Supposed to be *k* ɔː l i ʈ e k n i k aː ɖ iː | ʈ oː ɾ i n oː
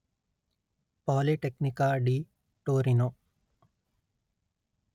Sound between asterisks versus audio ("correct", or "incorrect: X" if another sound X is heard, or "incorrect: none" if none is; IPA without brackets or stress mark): incorrect: p